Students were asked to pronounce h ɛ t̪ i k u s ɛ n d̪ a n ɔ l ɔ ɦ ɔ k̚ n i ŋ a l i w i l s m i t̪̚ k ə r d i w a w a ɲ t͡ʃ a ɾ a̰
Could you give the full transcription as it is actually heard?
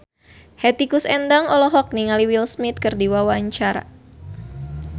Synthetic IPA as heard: h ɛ t̪ i k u s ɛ n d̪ a ŋ ɔ l ɔ ɦ ɔ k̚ n i ŋ a l i w i l s m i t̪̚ k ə r d i w a w a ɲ t͡ʃ a ɾ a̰